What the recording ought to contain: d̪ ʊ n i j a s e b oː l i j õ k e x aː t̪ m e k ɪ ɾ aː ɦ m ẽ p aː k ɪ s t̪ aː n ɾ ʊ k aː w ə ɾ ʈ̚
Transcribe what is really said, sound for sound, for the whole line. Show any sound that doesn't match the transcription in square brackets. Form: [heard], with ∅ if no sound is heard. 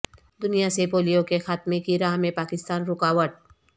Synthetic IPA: d̪ ʊ n i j a s e [p] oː l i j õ k e x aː t̪ m e k [i] ɾ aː ɦ m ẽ p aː k ɪ s t̪ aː n ɾ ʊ k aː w ə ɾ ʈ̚

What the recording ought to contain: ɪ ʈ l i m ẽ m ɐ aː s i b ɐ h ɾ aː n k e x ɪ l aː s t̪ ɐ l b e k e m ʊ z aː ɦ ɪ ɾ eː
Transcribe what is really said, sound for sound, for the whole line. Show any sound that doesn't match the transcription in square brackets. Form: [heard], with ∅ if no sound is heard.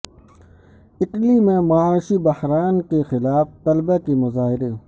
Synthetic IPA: ɪ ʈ l i m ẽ m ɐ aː [ʃ] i b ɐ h ɾ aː n k e x ɪ l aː [f] t̪ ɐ l b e k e m ʊ z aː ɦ ɪ ɾ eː

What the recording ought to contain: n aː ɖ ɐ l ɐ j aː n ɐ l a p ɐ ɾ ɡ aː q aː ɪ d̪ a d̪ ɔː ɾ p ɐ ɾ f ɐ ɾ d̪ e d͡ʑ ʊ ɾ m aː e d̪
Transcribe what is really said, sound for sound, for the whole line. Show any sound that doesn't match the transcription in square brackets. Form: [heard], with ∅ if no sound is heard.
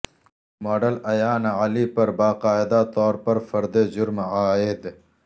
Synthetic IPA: [m] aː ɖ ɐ l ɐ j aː n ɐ l [i] p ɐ ɾ [b] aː q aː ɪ d̪ a [t̪] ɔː ɾ p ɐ ɾ f ɐ ɾ d̪ e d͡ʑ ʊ ɾ m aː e d̪

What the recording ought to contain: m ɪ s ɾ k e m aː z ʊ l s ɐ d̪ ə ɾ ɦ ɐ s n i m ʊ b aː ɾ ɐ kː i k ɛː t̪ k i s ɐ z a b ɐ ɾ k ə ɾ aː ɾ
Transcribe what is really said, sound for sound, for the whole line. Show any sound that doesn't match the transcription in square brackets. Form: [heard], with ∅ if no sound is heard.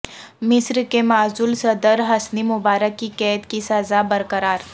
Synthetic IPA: m ɪ s ɾ k e m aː z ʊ l s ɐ d̪ ə ɾ ɦ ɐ s n i m ʊ b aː ɾ [ə] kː i k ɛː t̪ k i s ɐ z a b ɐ ɾ k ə ɾ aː ɾ

